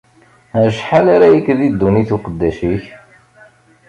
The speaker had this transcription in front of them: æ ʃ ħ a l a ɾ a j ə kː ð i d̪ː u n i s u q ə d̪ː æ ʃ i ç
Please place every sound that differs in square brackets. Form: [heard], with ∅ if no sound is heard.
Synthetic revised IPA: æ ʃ ħ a l a ɾ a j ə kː ð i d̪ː u n i [θ] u q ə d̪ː æ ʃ i ç